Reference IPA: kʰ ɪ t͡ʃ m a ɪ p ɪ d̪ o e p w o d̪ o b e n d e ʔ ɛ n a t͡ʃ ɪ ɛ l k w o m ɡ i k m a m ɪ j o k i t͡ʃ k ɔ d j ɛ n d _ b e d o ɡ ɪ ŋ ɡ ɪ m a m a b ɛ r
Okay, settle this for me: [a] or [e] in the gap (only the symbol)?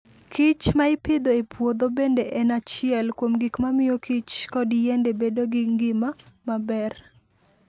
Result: e